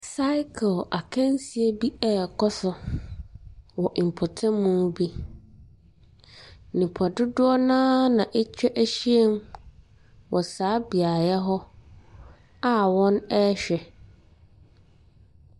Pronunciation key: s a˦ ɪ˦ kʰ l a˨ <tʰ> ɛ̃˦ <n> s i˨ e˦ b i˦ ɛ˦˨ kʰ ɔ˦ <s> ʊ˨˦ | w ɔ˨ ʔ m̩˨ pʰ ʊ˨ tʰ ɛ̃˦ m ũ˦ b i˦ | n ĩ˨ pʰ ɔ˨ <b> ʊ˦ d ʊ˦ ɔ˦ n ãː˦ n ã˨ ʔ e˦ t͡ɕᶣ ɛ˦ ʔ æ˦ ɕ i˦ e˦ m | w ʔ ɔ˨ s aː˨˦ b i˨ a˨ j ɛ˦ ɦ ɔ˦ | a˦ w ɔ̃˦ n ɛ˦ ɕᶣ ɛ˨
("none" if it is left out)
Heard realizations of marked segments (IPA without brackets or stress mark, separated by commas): kʰ, n, s, d